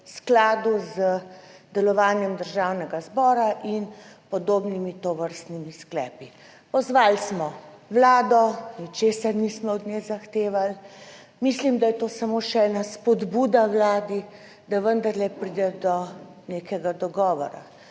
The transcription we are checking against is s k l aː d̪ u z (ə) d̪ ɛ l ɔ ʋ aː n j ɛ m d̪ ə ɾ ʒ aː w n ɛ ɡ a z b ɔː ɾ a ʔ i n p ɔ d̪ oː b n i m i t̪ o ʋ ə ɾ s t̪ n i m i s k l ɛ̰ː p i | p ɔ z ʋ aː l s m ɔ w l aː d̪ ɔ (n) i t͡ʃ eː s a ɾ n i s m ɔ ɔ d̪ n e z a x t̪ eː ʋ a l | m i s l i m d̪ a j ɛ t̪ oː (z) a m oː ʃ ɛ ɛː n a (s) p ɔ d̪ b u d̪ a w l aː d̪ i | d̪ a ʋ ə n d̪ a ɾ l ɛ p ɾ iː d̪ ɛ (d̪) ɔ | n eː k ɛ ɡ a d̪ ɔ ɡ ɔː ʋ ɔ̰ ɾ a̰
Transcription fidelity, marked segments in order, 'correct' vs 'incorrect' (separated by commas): correct, correct, incorrect, correct, correct